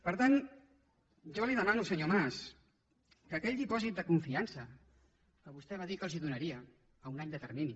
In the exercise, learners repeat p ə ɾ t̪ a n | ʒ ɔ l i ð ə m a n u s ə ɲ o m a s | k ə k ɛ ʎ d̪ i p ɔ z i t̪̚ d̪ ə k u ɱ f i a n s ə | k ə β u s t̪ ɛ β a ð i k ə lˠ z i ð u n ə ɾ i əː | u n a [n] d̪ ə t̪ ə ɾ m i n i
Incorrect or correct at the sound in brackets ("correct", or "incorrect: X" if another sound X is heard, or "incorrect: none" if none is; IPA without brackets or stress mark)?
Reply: incorrect: ɲ